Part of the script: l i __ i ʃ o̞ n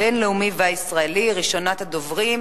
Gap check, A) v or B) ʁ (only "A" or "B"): B